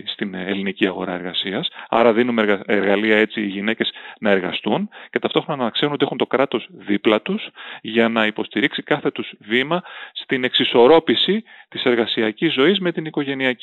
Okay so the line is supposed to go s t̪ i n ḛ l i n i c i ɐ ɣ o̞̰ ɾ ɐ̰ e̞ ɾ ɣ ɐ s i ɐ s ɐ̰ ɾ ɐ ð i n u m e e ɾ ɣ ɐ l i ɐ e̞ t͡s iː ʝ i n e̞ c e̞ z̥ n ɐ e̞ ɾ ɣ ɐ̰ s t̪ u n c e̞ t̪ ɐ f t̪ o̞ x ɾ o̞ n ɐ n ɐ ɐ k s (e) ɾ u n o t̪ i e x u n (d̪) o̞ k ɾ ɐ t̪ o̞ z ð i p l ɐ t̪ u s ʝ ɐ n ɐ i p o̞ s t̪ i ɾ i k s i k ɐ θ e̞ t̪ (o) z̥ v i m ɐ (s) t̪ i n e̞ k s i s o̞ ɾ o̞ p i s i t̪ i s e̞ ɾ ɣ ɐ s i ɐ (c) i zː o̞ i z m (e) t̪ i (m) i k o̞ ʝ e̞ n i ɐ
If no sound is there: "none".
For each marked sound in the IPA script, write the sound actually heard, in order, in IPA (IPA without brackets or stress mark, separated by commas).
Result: e, t̪, u, s, c, e, n